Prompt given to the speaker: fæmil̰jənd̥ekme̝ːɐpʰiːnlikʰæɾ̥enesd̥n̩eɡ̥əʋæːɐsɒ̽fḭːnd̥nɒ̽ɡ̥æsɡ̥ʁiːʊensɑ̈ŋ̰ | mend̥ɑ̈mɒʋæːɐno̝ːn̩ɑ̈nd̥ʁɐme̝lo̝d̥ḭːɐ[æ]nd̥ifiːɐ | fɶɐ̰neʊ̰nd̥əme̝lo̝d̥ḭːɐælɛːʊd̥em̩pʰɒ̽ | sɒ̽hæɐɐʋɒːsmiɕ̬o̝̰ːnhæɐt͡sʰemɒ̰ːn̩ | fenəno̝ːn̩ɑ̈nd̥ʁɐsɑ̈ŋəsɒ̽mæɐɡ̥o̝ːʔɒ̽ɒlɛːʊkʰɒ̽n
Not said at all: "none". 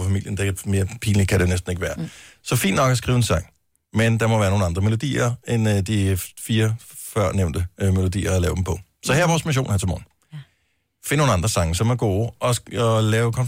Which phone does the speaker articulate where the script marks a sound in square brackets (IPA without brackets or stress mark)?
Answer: e